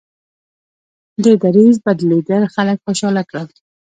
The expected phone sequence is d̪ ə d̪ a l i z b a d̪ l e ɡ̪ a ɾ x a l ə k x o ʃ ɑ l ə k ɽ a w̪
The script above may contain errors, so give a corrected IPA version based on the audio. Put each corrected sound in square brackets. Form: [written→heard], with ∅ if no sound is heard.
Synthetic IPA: d̪ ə d̪ a [l→ɾ] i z b a d̪ l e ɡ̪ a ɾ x a l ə k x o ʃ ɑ l [ə→a] k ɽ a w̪